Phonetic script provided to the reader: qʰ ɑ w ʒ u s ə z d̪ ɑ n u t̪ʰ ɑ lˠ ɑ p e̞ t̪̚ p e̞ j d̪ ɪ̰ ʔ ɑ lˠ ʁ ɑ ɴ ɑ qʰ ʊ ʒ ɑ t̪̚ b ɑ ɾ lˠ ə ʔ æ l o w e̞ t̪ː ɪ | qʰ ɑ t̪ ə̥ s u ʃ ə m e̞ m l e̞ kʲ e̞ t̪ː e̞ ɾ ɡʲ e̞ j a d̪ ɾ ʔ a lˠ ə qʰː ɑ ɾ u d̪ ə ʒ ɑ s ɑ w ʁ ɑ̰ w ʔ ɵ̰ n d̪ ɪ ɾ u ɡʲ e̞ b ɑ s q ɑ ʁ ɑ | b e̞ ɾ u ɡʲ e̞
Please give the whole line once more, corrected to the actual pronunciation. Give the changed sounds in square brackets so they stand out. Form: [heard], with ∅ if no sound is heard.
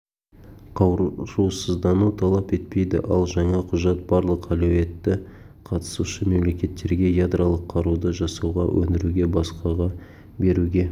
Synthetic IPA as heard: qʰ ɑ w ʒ u s ə z d̪ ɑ n u t̪ʰ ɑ lˠ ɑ p e̞ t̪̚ p e̞ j d̪ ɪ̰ ʔ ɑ lˠ [ʒ] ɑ ɴ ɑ qʰ ʊ ʒ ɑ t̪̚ b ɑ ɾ lˠ ə [q] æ l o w e̞ t̪ː ɪ | qʰ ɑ t̪ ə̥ s u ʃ ə m e̞ m l e̞ kʲ e̞ t̪ː e̞ ɾ ɡʲ e̞ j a d̪ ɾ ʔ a lˠ ə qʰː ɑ ɾ u d̪ ə ʒ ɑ s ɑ w ʁ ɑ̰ w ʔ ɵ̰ n d̪ ɪ ɾ u ɡʲ e̞ b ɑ s q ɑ ʁ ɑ | b e̞ ɾ u ɡʲ e̞